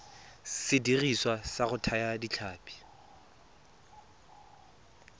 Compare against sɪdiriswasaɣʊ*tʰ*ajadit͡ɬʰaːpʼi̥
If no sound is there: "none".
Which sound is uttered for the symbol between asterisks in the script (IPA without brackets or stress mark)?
tʰ